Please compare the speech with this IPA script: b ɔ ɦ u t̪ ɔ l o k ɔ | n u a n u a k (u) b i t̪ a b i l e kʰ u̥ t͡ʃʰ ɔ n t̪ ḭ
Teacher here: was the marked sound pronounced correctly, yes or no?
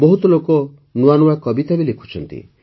no